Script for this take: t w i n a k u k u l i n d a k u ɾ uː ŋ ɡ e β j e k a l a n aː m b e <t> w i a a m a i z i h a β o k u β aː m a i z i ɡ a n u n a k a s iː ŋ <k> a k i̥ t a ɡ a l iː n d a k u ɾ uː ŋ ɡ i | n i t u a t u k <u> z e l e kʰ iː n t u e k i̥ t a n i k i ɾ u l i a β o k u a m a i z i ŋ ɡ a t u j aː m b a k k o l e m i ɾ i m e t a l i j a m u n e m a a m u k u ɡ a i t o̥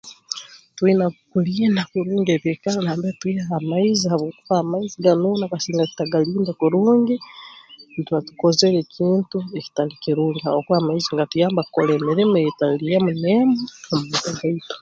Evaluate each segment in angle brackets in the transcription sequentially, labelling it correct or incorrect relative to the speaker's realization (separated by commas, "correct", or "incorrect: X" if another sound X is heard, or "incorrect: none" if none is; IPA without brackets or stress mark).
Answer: correct, incorrect: ɡ, incorrect: o